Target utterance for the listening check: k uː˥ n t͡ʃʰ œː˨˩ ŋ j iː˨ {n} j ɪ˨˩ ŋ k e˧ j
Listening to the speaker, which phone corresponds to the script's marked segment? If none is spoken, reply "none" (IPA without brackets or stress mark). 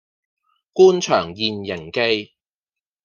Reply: n